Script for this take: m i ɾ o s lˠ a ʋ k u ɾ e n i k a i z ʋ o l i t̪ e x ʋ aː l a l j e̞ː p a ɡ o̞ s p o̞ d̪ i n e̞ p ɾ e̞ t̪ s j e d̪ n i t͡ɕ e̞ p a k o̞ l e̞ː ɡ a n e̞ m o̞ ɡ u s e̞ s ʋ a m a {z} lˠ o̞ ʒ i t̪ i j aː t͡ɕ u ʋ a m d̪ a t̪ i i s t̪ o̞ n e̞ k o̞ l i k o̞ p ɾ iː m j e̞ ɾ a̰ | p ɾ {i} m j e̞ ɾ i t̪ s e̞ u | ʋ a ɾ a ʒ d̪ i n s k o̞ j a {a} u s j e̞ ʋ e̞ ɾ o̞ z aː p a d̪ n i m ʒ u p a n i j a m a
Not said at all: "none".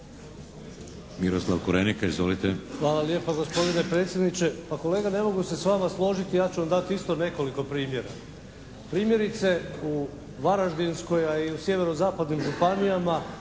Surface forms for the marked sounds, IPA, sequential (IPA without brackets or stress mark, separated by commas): s, iː, i